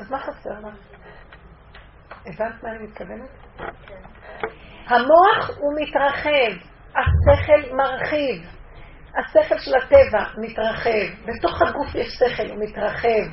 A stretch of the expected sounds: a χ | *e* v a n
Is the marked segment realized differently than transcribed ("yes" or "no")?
no